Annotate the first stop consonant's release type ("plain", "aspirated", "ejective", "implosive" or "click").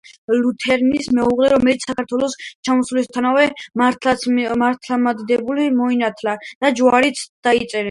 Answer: aspirated